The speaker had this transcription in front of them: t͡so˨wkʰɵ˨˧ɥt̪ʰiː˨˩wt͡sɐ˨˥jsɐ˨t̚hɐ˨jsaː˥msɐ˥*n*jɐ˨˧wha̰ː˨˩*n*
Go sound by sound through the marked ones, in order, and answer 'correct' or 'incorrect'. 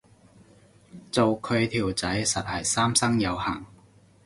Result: incorrect: ŋ, incorrect: ŋ

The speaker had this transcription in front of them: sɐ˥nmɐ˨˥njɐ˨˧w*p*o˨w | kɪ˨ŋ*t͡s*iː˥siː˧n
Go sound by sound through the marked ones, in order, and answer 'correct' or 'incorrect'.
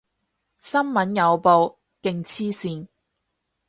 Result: correct, incorrect: t͡sʰ

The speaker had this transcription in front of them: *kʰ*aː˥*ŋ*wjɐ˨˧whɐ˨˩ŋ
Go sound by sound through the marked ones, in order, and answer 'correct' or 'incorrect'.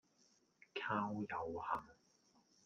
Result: correct, incorrect: none

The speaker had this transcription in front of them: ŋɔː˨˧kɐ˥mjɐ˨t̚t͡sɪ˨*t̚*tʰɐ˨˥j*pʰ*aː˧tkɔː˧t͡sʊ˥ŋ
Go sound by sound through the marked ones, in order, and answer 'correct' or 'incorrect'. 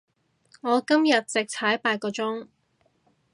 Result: incorrect: k̚, incorrect: p

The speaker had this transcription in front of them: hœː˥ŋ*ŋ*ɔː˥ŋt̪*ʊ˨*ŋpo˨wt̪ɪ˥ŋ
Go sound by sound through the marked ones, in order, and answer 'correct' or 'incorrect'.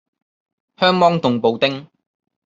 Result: incorrect: m, correct

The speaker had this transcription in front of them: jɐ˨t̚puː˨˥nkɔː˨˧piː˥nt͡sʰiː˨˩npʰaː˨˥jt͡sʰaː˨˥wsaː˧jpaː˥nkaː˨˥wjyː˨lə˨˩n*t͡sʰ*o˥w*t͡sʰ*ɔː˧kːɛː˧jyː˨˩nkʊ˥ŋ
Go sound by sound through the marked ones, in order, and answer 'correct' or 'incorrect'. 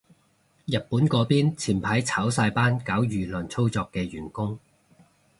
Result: correct, incorrect: t͡s

